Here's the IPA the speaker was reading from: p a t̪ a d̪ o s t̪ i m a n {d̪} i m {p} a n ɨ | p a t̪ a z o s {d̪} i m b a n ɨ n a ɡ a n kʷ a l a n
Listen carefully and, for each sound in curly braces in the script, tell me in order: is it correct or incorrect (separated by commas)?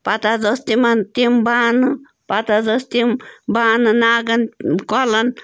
incorrect, incorrect, incorrect